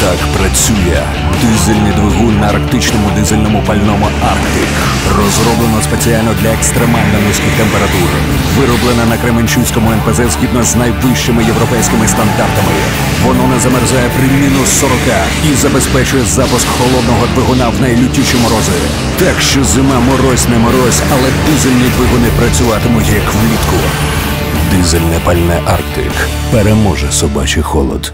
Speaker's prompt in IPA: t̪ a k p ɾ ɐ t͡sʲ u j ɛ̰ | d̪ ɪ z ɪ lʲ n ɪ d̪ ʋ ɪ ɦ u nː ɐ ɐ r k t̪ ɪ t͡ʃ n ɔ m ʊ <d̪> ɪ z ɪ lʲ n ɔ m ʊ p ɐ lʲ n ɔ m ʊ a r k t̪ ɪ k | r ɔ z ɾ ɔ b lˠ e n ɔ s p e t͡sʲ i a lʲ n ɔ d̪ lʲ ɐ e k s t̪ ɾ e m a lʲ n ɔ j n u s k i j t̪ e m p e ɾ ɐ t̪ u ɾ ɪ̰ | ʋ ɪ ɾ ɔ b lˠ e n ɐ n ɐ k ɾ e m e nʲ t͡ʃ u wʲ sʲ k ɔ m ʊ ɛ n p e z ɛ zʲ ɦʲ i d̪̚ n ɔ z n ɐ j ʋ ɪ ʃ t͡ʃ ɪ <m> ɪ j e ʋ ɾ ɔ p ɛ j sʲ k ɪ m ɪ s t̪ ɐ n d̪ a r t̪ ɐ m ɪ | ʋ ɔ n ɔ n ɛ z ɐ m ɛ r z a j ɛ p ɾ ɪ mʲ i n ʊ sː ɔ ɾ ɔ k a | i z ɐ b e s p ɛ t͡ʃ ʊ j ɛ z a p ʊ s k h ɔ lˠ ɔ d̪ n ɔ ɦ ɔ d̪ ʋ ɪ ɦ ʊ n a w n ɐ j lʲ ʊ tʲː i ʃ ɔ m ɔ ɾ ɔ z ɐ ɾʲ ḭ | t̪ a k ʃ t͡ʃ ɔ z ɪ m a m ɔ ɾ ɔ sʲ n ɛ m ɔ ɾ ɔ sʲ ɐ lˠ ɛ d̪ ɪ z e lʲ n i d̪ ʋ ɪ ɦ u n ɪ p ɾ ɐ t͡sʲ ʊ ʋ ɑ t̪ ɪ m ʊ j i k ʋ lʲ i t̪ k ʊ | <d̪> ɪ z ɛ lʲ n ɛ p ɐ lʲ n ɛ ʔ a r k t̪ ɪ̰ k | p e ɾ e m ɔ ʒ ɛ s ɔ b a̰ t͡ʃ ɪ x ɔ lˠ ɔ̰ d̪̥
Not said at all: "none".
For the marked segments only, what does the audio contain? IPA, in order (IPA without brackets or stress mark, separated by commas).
d̪, m, d̪